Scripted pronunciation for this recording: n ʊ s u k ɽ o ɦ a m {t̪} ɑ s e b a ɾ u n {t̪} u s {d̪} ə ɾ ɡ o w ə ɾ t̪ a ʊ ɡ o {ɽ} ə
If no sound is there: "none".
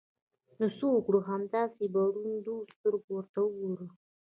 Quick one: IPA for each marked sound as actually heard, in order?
d̪, d̪, t̪, ɾ

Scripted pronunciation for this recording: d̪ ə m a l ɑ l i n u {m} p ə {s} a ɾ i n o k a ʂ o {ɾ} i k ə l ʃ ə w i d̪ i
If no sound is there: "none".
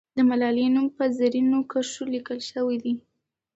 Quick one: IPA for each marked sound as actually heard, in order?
m, z, l

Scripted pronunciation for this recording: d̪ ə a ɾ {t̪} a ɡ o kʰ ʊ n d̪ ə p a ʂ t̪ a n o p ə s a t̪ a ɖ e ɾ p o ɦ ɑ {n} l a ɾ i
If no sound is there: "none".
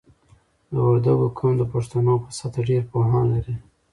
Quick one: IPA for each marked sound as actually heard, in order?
d̪, n

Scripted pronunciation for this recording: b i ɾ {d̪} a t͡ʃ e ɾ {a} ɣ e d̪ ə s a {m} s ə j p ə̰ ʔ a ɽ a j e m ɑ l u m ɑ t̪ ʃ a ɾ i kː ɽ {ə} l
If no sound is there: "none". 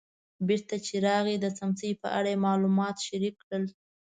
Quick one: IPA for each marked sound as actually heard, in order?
t̪, ɑ, m, ə

